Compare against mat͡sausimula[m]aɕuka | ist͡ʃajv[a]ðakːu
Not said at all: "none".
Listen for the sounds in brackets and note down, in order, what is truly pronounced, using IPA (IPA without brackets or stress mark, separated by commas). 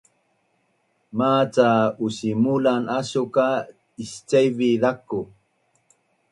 n, i